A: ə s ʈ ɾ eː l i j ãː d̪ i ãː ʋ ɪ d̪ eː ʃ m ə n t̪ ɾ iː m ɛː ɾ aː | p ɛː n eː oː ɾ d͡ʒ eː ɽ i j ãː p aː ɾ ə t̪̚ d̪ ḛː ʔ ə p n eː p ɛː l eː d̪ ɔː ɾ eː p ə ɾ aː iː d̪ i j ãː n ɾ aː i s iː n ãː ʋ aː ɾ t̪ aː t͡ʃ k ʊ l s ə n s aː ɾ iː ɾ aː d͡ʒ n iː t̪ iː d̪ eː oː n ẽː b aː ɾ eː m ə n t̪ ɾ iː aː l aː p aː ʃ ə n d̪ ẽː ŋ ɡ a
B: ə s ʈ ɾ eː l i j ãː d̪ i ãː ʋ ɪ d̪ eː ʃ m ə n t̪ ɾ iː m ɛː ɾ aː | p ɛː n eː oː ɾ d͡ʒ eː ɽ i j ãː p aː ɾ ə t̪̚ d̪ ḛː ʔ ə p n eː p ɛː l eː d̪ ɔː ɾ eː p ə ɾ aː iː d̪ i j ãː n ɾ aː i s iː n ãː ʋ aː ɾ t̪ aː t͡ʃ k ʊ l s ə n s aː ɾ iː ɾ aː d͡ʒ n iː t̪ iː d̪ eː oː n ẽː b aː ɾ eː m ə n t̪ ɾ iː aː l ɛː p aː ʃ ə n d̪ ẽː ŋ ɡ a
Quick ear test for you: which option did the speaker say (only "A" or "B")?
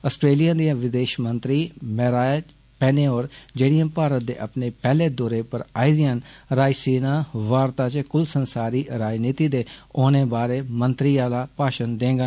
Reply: A